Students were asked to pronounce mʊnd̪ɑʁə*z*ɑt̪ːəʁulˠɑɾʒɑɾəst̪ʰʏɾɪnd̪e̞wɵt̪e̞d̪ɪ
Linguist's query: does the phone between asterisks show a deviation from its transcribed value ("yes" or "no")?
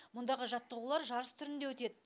yes